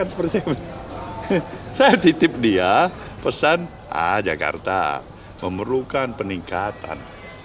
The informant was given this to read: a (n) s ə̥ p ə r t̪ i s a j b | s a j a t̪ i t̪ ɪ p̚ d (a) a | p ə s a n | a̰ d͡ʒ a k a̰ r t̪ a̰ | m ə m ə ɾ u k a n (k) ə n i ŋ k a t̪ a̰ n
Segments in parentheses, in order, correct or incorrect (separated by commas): correct, incorrect, incorrect